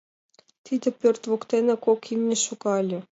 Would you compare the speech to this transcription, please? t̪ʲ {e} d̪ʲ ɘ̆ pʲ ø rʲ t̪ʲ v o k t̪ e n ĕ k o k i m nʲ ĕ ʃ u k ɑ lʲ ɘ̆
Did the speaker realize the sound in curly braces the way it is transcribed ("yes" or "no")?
no